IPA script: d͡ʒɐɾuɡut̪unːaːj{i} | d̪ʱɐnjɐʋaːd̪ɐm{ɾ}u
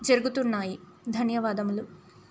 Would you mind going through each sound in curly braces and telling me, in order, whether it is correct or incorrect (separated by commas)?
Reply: correct, incorrect